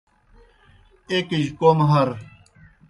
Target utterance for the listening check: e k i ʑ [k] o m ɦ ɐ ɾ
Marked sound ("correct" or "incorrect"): correct